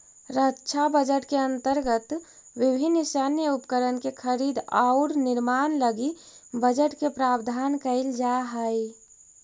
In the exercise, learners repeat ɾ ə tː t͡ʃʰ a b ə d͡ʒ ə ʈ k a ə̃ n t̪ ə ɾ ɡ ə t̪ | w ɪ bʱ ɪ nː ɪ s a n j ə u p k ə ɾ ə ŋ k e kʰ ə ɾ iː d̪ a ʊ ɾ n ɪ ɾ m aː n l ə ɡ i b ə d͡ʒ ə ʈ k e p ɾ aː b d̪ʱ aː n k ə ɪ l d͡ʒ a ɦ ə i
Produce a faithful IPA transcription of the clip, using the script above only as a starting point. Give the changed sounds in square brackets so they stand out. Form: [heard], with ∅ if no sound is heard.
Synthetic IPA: ɾ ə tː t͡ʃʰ a b ə d͡ʒ ə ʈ k [e] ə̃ n t̪ ə ɾ ɡ ə t̪ | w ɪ bʱ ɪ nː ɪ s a n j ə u p k ə ɾ ə [n] k e kʰ ə ɾ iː d̪ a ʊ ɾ n ɪ ɾ m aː n l ə ɡ i b ə d͡ʒ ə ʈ k e p ɾ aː b d̪ʱ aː n k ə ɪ l d͡ʒ a ɦ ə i